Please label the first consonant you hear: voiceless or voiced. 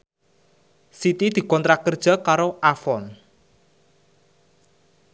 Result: voiceless